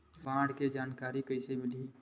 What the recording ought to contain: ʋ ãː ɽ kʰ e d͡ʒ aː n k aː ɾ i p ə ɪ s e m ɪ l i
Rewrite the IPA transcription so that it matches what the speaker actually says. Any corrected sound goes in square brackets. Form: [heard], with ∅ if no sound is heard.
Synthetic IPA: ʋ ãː ɽ [k] e d͡ʒ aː n k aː ɾ i [k] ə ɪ s e m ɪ l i